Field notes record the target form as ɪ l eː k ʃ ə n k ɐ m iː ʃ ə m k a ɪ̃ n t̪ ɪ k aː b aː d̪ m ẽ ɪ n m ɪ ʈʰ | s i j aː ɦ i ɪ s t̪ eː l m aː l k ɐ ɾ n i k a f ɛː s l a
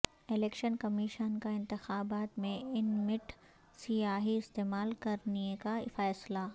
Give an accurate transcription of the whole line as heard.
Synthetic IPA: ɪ l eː k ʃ ə n k ɐ m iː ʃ ə n k a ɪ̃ n t̪ ɪ x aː b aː t̪ m ẽ ɪ n m ɪ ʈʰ | s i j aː ɦ i ɪ s t̪ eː m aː l k ɐ ɾ n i k a f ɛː s l a